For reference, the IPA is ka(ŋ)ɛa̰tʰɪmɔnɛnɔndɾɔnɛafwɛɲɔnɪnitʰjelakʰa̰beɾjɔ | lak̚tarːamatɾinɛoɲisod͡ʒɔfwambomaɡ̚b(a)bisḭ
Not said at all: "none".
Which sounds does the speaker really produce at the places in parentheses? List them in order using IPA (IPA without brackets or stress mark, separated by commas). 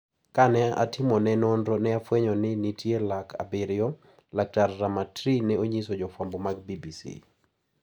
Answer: n, i